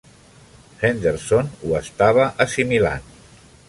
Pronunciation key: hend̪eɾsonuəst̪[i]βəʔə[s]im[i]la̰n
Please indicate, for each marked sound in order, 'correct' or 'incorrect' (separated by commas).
incorrect, correct, correct